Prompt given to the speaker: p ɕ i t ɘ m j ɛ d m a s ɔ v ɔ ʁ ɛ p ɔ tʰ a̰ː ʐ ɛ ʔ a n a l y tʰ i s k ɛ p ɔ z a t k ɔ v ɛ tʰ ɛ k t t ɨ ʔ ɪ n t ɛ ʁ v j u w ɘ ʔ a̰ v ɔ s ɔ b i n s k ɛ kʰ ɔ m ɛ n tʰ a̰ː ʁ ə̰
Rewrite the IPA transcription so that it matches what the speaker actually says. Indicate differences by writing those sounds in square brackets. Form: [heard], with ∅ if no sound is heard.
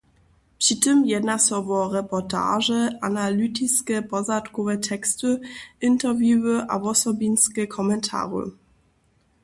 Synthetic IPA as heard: p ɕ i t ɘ m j ɛ d [n] a s ɔ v ɔ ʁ ɛ p ɔ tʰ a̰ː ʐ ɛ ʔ a n a l y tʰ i s k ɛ p ɔ z a t k ɔ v ɛ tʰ ɛ k [s] t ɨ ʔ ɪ n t ɛ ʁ v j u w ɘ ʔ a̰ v ɔ s ɔ b i n s k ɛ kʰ ɔ m ɛ n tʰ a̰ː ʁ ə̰